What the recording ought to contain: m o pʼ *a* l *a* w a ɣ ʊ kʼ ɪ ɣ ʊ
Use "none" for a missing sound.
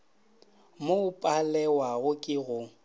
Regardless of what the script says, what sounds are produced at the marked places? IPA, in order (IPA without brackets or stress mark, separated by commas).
a, ɛ